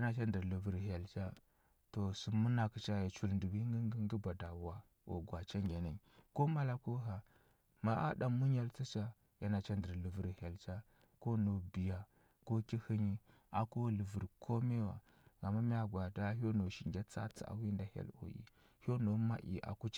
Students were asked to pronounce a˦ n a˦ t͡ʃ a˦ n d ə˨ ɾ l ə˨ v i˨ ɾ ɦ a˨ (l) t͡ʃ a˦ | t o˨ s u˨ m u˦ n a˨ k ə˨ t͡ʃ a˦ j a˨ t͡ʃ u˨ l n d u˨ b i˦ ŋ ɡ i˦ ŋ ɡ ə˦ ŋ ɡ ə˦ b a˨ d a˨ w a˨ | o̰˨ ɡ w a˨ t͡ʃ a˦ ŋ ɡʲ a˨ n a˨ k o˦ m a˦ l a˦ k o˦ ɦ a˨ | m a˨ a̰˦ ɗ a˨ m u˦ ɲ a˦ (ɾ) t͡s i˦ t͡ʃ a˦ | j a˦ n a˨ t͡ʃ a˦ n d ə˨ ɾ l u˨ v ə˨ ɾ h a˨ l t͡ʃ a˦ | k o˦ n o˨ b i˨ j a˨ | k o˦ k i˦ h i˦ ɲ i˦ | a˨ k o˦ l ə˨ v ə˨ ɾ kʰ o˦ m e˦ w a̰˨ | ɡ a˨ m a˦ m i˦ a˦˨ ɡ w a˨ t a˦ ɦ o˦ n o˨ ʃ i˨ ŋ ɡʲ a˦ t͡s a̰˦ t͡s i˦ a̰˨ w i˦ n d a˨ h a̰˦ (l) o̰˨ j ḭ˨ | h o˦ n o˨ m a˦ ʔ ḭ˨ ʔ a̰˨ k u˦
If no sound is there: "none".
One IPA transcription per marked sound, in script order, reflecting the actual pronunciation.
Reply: l, l, l

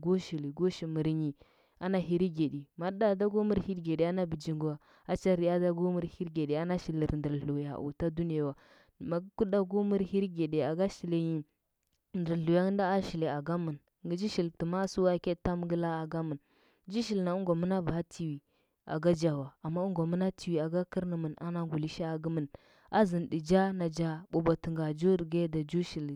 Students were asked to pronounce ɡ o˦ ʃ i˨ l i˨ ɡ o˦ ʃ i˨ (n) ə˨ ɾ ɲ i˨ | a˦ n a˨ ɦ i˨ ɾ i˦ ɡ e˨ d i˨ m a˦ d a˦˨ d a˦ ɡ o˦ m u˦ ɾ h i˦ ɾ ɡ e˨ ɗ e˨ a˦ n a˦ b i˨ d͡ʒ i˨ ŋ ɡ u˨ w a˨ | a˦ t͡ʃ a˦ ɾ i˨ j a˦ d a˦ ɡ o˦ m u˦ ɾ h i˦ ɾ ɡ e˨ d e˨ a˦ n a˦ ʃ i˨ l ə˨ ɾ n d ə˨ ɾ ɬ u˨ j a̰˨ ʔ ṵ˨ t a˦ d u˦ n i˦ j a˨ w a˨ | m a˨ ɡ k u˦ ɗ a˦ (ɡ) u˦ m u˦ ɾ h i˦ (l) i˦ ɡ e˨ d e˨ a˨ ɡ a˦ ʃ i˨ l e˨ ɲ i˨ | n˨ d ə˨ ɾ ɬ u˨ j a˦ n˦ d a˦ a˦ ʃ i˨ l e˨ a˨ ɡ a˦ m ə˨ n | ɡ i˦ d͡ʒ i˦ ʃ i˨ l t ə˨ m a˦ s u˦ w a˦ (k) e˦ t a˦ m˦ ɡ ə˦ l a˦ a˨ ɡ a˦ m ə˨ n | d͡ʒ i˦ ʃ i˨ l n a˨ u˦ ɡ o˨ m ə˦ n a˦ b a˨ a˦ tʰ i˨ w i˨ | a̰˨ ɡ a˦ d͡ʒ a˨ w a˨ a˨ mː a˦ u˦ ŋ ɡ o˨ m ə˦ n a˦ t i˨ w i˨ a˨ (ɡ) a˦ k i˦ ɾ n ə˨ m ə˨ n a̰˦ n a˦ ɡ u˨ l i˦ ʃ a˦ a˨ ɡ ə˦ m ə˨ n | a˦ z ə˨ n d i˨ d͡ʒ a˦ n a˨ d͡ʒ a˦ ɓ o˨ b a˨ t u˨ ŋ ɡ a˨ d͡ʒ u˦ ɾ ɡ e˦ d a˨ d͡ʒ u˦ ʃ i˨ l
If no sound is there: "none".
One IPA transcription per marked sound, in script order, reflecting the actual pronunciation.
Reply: m, ɡ, ɾ, k, ɡ

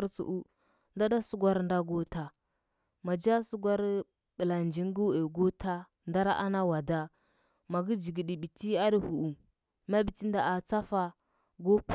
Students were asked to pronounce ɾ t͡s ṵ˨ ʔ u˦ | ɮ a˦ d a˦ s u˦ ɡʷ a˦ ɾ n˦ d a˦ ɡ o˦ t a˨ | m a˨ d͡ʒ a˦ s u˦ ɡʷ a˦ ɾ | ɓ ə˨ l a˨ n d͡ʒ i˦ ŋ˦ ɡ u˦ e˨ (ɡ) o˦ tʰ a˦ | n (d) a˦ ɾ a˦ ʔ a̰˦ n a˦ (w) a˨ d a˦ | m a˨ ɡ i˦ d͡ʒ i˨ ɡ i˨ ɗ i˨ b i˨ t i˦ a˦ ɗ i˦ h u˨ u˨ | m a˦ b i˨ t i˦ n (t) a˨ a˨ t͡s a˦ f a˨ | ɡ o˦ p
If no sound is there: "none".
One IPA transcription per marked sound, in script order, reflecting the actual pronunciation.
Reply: ɡ, d, w, d

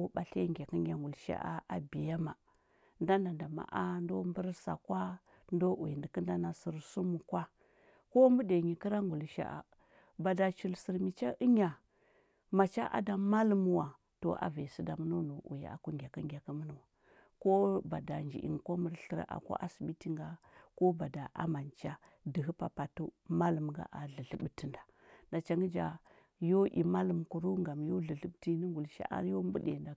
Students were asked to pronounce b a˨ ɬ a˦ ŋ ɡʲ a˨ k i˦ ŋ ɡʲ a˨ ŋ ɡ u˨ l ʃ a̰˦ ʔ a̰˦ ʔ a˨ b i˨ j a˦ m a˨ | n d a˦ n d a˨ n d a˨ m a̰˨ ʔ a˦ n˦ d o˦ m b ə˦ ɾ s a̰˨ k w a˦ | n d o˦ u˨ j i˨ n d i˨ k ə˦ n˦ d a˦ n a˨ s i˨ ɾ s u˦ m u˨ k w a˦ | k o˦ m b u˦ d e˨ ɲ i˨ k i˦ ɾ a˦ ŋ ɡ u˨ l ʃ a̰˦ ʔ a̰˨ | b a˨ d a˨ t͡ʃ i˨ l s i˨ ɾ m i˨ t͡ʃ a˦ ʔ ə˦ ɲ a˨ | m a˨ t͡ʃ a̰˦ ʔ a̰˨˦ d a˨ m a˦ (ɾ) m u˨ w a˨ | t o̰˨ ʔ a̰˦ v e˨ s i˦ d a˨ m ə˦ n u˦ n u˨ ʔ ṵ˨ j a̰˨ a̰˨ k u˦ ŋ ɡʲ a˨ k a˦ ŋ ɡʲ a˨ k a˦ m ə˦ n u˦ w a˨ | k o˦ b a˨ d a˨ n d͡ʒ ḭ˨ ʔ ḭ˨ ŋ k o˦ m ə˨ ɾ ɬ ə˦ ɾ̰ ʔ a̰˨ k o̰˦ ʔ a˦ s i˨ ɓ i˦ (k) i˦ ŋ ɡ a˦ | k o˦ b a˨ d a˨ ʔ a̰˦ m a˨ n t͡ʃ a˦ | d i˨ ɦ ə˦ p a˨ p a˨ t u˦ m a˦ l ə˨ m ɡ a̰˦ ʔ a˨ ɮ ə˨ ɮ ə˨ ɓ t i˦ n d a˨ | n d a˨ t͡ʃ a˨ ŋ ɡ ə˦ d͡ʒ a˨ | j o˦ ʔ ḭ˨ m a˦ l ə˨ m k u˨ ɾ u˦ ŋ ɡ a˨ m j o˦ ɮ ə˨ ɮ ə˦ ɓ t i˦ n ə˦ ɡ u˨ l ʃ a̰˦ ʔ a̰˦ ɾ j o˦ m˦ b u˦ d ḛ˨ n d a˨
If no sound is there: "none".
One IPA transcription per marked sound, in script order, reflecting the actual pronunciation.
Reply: l, t

